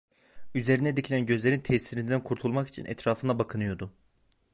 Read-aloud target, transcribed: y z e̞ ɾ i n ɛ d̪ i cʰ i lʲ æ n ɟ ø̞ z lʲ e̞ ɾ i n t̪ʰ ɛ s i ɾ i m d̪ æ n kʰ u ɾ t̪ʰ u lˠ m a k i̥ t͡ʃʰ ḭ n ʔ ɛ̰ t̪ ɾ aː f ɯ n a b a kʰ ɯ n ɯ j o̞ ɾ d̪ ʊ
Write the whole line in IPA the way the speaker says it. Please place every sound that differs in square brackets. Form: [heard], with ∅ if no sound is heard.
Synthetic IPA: y z e̞ ɾ i n ɛ d̪ i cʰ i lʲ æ n ɟ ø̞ z lʲ e̞ ɾ i n t̪ʰ ɛ s i ɾ i [n] d̪ æ n kʰ u ɾ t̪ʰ u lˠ m a k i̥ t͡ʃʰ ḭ n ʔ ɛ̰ t̪ ɾ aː f ɯ n a b a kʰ ɯ n ɯ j o̞ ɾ d̪ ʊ